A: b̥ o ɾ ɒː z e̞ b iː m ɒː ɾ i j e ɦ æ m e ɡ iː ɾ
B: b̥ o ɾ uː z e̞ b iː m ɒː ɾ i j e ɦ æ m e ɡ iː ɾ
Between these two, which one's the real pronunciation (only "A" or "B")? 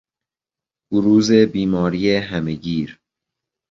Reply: B